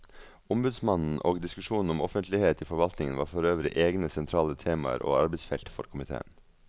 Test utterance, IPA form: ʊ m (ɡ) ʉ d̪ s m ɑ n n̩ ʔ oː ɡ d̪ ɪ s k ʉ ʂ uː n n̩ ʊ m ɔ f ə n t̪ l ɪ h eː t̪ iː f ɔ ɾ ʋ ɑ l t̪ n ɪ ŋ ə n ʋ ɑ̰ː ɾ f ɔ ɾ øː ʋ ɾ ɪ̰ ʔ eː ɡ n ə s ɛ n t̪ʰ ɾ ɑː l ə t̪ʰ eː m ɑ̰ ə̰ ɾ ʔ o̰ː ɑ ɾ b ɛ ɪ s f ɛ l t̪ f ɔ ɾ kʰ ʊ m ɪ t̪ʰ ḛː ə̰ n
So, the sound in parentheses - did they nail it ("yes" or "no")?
no